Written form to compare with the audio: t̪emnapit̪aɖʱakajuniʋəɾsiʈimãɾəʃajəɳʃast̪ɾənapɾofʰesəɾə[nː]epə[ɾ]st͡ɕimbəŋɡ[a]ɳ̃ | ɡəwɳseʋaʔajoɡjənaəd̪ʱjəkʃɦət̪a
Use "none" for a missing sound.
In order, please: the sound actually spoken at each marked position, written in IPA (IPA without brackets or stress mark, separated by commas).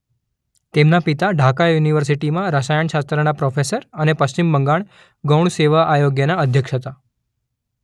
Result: n, none, a